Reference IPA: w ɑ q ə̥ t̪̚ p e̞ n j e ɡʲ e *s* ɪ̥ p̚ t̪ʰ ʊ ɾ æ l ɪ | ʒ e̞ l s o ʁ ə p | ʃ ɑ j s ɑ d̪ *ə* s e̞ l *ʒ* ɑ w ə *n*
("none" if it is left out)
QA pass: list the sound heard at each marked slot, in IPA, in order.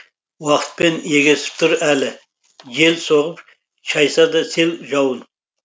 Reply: s, ɑ, ʒ, n

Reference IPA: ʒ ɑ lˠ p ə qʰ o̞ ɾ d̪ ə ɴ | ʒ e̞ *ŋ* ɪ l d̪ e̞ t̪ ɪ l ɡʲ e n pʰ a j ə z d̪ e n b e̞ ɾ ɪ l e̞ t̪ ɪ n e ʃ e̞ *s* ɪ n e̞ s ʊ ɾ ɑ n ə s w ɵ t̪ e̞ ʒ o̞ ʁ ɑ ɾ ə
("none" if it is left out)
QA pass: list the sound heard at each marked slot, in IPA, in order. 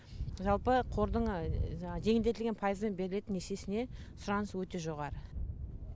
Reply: ŋ, s

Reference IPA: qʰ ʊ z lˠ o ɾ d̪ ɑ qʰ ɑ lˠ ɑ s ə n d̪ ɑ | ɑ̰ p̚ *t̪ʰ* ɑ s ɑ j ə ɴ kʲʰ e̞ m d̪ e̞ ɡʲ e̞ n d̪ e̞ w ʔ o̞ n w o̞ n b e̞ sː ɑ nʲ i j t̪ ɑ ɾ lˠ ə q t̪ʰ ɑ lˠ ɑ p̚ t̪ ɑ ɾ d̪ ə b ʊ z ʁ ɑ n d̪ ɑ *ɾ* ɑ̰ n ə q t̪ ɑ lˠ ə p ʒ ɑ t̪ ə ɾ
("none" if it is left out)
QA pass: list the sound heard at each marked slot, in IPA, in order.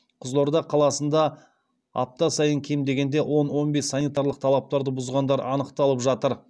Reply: t̪, ɾ

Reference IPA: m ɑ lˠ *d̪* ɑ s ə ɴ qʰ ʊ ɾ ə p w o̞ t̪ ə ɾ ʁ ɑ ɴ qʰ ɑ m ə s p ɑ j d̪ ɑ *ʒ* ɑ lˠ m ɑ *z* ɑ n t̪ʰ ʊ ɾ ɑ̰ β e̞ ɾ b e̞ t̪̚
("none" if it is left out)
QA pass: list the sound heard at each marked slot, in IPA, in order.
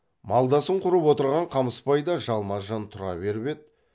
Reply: d̪, ʒ, ʒ

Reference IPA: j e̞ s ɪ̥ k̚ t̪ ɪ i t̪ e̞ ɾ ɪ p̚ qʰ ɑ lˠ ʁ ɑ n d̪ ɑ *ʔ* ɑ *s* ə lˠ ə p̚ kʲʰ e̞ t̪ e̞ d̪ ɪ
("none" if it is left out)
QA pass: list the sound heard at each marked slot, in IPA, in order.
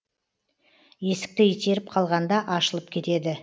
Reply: ʔ, ʃ

